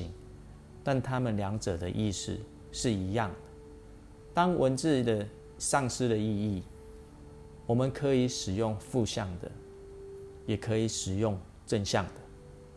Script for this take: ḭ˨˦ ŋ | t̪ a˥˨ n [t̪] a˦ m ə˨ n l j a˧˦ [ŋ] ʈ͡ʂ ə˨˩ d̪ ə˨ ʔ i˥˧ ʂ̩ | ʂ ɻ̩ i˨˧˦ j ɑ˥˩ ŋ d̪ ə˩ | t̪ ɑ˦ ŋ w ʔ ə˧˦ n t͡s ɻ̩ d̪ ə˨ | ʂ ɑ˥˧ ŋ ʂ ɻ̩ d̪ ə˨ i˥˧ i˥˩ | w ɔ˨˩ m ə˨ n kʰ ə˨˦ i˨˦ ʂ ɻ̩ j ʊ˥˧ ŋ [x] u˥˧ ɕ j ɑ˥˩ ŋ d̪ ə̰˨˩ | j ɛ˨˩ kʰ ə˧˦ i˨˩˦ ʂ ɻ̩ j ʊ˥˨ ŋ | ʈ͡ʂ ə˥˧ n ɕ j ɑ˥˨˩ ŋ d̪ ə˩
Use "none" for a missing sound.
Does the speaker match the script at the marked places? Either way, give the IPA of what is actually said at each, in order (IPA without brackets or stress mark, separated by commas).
t̪ʰ, ŋ, f